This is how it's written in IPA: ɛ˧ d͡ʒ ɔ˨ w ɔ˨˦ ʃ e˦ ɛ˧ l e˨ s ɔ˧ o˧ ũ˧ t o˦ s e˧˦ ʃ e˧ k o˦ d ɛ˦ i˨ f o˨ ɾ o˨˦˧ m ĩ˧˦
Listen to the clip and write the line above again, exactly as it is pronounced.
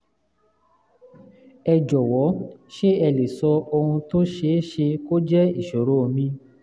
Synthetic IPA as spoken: ɛ˧ d͡ʒ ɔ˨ w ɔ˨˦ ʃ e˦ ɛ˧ l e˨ s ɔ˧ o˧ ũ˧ t o˦ ʃ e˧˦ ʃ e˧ k o˦ d͡ʒ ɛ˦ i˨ ʃ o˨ ɾ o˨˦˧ m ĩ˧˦